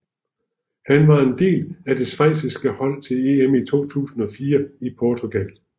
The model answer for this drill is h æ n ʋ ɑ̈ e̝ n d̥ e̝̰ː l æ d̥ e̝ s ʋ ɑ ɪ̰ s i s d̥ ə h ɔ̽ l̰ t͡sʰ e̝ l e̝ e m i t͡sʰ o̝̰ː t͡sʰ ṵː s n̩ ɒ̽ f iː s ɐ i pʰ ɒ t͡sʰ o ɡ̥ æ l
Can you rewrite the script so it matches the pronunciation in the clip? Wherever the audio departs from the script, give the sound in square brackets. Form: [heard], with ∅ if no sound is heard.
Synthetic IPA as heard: h æ n ʋ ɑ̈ e̝ n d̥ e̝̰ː l æ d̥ e̝ s ʋ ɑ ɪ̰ s i s [ɡ̥] ə h [ɒ̽] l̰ t͡sʰ e̝ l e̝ e m i t͡sʰ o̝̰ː t͡sʰ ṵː s n̩ ɒ̽ f iː [∅] ɐ i pʰ ɒ t͡sʰ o ɡ̥ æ l